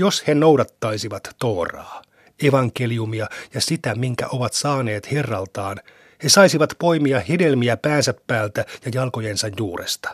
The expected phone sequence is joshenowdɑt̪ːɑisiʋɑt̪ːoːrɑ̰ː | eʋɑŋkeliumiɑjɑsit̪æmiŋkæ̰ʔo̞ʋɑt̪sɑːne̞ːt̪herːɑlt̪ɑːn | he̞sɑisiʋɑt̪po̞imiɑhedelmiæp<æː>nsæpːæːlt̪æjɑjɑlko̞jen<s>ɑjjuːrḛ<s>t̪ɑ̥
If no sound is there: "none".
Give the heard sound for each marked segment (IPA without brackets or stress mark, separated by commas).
æː, s, s